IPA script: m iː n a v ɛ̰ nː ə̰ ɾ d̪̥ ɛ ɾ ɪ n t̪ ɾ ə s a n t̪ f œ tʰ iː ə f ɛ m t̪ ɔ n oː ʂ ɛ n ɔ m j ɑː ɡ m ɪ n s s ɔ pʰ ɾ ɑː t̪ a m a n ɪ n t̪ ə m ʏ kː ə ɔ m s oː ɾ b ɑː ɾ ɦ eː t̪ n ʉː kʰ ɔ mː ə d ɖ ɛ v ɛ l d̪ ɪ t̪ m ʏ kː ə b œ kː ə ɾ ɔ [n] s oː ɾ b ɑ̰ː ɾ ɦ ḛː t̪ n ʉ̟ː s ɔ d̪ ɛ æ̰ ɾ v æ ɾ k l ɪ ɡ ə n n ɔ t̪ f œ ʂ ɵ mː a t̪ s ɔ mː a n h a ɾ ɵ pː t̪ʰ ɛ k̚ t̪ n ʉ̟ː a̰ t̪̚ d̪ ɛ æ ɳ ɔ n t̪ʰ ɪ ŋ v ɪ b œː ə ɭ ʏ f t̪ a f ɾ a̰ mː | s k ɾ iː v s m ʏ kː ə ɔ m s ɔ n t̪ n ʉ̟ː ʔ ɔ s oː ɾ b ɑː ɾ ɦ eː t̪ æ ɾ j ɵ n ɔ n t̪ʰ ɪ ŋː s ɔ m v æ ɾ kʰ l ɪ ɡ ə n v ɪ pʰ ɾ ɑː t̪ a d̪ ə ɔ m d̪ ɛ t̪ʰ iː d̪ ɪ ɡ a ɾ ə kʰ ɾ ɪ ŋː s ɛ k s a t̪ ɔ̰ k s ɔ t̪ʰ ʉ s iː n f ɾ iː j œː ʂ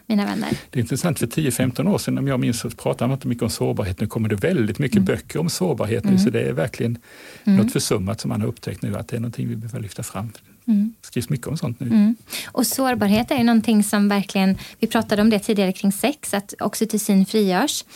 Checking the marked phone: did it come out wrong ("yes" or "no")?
yes